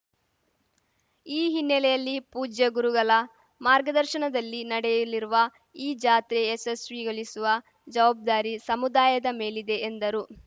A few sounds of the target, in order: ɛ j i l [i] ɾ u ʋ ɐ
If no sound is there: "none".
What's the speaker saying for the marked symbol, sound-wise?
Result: i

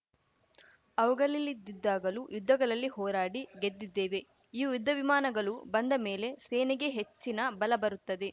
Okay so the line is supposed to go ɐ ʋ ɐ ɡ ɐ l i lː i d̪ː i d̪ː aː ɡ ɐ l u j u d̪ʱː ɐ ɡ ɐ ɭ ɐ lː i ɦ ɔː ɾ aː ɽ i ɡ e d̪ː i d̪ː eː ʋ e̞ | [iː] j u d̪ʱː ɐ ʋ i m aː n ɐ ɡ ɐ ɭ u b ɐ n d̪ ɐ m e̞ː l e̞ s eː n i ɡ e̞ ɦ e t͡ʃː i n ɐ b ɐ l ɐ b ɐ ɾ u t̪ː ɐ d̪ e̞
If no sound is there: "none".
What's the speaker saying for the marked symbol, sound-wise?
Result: iː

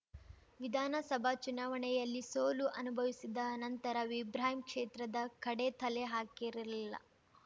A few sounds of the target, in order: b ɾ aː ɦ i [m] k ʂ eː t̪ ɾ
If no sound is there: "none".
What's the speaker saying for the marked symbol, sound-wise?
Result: m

